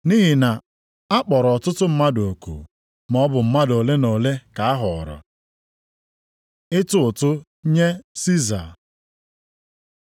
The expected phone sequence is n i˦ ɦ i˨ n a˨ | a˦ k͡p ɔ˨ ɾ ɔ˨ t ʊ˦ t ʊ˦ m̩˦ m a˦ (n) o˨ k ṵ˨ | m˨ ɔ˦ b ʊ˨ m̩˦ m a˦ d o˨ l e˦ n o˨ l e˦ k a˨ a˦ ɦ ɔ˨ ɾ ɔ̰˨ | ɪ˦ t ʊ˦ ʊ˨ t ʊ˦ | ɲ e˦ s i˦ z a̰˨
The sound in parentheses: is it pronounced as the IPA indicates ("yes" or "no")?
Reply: no